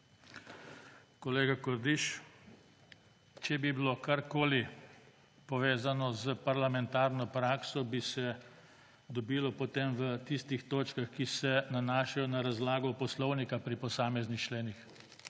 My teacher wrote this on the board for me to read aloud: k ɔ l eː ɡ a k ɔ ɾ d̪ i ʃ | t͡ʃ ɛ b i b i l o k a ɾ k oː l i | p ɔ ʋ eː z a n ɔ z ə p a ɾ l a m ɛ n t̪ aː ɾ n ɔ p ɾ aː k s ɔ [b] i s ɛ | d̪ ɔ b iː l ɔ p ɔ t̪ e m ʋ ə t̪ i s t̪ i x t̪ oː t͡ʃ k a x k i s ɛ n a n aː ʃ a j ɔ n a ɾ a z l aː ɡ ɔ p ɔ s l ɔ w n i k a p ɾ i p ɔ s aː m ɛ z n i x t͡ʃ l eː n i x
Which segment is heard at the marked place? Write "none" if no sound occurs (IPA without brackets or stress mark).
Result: b